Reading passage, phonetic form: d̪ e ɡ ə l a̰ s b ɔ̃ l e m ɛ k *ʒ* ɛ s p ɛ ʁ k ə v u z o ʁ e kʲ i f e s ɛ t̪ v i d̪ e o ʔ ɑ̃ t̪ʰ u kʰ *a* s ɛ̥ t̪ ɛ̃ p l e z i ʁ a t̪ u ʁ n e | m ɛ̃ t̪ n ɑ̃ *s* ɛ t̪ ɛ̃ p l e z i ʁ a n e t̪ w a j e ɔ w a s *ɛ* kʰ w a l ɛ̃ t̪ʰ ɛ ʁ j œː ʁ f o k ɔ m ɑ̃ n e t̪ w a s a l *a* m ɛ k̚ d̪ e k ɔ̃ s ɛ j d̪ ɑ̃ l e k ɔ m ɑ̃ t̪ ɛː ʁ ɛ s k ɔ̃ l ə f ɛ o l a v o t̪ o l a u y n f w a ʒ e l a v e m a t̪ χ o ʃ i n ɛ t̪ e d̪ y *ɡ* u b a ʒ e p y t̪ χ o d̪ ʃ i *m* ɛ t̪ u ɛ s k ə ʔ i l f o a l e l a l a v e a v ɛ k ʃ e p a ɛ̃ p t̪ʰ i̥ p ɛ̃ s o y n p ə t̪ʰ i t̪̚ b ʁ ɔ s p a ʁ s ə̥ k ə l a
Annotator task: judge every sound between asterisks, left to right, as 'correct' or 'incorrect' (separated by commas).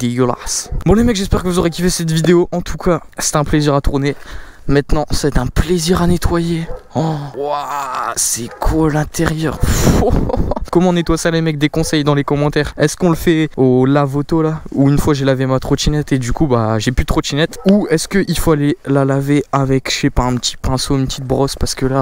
correct, correct, correct, correct, incorrect, incorrect, incorrect